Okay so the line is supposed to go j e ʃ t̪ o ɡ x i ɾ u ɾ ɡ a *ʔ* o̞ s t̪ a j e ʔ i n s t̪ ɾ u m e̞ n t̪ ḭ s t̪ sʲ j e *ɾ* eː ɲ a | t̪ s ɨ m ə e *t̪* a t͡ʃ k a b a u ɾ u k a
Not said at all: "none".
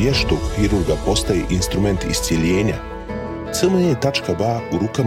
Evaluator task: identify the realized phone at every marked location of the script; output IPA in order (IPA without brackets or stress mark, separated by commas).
p, ʎ, t̪